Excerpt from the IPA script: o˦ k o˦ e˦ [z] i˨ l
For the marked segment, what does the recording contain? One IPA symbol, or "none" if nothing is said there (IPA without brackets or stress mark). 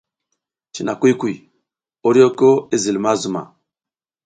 z